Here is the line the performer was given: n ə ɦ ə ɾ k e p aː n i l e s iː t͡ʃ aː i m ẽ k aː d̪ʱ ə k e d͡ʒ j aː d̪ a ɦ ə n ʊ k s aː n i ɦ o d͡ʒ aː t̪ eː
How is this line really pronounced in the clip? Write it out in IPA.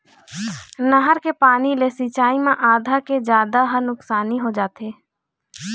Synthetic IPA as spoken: n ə ɦ ə ɾ k e p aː n i l e s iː t͡ʃ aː i m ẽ ʔ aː d̪ʱ a k e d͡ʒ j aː d̪ a ɦ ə n ʊ k s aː n i ɦ o d͡ʒ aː t̪ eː